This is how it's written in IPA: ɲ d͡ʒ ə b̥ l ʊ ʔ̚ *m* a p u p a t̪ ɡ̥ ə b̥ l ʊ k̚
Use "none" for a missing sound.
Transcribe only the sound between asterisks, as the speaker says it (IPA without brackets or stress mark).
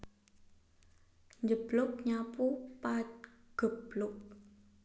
ɲ